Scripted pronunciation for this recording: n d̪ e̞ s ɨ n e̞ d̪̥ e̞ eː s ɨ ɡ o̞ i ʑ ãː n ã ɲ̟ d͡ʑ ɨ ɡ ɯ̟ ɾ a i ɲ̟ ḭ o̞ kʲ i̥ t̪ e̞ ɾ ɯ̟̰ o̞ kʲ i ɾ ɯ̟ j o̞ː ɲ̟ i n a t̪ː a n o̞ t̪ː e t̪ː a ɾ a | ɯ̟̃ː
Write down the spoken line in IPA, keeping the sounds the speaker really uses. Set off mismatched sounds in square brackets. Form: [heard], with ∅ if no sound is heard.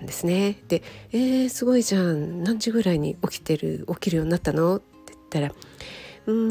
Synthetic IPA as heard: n d̪ e̞ s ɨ n e̞ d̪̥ e̞ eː s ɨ ɡ o̞ i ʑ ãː n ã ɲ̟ d͡ʑ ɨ ɡ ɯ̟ ɾ a i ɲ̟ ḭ o̞ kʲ i̥ t̪ e̞ ɾ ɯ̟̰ o̞ kʲ i ɾ ɯ̟ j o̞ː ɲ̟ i n a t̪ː a n o̞ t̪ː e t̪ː a ɾ a | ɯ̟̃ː